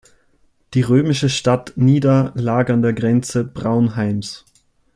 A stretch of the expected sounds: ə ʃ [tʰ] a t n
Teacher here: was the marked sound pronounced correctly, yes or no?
no